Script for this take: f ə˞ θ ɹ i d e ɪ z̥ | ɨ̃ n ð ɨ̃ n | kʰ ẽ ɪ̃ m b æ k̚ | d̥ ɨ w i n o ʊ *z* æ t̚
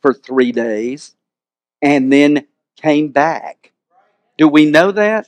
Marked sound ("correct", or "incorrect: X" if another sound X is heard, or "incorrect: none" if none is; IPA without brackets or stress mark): incorrect: ð